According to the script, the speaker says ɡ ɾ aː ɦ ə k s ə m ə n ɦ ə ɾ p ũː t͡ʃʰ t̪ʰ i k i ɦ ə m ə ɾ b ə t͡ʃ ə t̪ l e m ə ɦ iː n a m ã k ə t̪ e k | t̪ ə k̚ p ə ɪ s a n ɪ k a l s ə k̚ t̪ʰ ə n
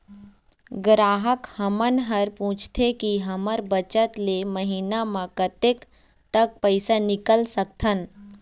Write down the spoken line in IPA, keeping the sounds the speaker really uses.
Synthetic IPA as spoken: ɡ ɾ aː ɦ ə k h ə m ə n ɦ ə ɾ p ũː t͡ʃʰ t̪ʰ e k i ɦ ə m ə ɾ b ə t͡ʃ ə t̪ l e m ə ɦ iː n a m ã k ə t̪ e k | t̪ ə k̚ p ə ɪ s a n ɪ k ə l s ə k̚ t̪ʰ ə n